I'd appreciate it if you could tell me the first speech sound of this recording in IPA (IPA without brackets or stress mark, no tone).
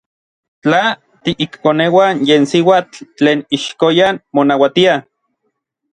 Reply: t͡ɬ